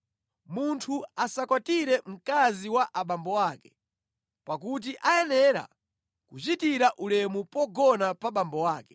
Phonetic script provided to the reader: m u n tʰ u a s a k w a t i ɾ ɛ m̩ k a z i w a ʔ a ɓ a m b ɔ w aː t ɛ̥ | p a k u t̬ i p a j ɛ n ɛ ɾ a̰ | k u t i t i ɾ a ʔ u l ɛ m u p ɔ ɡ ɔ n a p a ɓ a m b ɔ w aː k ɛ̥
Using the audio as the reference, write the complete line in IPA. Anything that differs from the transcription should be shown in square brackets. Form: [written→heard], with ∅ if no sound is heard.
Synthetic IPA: m u n tʰ u a s a k w a t i ɾ ɛ m̩ k a z i w a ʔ a ɓ a m b ɔ w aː [t→k] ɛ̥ | p a k u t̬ i [p→ʔ] a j ɛ n ɛ ɾ a̰ | k u [t→t͡ʃ] i t i ɾ a ʔ u l ɛ m u p ɔ ɡ ɔ n a p a ɓ a m b ɔ w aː k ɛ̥